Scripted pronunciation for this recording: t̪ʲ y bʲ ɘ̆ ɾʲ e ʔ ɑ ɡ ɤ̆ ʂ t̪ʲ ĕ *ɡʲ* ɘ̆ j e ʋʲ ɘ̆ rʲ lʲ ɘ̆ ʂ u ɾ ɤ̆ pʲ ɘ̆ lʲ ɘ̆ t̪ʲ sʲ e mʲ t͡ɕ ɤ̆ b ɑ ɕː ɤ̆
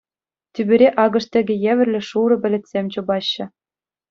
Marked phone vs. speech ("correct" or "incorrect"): correct